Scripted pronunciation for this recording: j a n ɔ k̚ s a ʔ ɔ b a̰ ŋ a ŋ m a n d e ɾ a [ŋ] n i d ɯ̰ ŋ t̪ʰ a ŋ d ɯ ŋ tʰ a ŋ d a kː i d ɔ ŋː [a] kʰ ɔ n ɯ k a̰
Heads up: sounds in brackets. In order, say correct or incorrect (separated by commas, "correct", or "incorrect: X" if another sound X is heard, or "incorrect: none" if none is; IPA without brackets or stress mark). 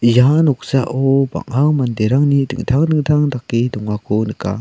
correct, correct